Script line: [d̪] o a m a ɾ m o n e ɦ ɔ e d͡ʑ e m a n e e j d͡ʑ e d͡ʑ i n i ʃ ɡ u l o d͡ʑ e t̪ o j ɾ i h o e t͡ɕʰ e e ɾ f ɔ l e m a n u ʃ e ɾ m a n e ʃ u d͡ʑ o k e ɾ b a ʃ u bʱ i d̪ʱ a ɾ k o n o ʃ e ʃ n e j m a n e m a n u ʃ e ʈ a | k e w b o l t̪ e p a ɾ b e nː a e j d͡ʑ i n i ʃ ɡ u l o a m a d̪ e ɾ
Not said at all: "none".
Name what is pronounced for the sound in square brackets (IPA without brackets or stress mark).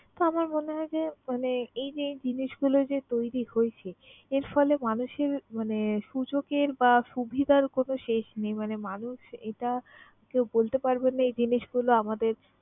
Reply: t̪